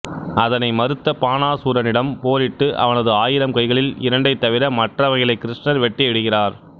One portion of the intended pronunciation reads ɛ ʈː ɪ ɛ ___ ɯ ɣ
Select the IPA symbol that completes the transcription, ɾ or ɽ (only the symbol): ɽ